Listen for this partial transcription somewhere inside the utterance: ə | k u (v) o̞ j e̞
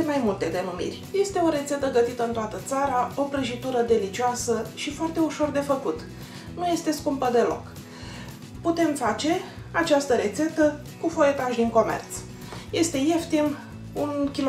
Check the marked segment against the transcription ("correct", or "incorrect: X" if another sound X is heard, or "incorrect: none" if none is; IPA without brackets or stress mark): incorrect: f